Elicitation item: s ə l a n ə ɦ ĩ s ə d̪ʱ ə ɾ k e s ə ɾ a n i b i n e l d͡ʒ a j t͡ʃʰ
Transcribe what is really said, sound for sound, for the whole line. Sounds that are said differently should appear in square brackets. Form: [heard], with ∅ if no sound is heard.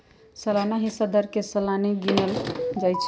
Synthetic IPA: s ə l a n [a] ɦ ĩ s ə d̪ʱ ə ɾ k e s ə [l] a n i [ɡ] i n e l d͡ʒ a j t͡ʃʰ